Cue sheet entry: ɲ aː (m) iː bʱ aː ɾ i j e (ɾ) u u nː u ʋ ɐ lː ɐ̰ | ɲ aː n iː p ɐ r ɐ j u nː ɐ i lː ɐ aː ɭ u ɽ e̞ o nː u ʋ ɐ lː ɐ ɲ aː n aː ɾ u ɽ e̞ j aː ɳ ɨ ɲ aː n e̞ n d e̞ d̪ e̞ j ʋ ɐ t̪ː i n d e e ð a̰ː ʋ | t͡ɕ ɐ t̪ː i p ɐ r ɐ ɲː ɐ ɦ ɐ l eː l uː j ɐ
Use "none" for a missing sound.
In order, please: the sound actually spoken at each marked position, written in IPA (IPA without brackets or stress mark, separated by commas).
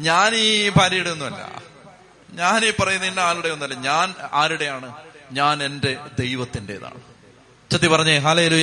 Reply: n, ɽ